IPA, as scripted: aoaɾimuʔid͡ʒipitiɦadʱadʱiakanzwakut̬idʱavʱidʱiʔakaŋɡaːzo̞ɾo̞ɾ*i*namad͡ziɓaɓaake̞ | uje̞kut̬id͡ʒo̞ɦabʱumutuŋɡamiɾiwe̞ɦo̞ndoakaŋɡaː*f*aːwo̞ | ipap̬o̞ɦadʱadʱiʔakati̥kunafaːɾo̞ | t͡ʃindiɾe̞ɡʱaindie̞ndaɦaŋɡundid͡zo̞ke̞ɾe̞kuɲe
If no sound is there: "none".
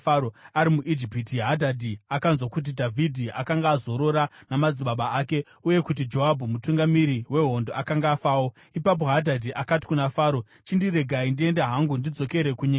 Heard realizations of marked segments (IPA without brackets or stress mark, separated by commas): a, f